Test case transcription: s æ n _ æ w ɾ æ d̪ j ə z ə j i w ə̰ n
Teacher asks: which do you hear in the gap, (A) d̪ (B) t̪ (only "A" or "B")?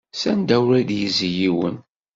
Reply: A